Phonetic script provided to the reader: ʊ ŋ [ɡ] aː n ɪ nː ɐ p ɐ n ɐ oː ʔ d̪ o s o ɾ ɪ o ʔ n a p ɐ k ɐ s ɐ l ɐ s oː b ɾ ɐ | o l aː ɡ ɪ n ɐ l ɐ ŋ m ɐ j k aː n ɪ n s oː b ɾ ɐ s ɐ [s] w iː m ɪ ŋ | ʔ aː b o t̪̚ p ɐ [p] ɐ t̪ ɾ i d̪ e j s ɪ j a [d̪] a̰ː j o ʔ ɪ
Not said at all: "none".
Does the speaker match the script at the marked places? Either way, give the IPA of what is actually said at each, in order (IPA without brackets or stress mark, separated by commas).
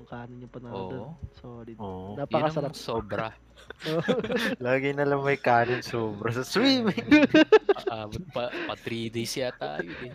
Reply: k, s, p, t̪